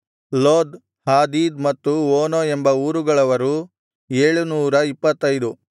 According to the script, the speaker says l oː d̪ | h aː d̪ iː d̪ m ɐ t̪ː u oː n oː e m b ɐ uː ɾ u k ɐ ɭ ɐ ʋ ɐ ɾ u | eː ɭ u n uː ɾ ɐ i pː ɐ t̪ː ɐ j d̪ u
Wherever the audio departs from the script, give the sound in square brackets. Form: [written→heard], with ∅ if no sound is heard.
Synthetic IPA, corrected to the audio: l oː d̪ | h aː d̪ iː d̪ m ɐ t̪ː u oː n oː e m b ɐ uː ɾ u [k→ɡ] ɐ ɭ ɐ ʋ ɐ ɾ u | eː ɭ u n uː ɾ ɐ i pː ɐ t̪ː ɐ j d̪ u